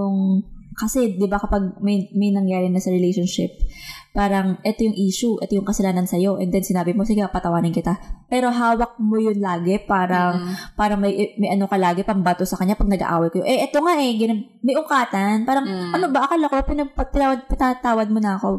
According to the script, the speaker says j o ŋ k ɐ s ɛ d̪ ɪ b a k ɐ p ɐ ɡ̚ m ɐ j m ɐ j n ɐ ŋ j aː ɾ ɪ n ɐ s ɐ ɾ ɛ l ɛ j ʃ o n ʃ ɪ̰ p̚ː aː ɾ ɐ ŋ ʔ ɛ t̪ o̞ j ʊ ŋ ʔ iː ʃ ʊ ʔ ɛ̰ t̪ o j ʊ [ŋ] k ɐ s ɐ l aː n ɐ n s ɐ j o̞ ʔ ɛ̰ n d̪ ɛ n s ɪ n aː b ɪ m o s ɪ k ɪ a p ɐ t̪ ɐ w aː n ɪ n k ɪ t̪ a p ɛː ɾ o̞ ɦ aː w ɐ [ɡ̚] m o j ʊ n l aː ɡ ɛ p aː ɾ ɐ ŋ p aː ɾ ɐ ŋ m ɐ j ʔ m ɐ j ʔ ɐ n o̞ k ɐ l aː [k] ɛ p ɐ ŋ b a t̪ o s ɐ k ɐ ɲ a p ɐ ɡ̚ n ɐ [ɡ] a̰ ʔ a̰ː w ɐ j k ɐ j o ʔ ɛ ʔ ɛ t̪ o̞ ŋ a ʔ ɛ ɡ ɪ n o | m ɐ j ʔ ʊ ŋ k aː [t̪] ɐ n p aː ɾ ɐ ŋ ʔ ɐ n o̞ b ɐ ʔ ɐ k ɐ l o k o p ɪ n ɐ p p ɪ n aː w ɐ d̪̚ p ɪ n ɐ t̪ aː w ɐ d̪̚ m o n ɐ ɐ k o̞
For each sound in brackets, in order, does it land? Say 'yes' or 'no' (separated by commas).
yes, no, no, yes, yes